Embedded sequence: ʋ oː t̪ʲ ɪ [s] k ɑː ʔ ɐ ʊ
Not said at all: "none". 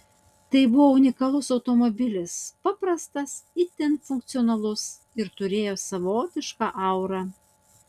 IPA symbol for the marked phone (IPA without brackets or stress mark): ʃ